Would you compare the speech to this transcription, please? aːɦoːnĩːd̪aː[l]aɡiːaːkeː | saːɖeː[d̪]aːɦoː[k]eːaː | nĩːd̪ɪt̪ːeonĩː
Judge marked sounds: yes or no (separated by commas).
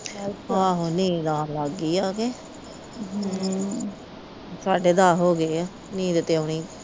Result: yes, yes, no